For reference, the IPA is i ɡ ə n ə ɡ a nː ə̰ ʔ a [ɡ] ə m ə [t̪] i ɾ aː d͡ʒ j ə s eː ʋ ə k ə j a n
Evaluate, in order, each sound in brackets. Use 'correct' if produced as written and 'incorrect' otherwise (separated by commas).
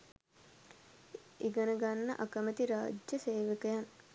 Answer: incorrect, correct